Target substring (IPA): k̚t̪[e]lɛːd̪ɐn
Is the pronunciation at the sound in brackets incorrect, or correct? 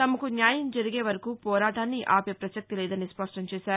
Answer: incorrect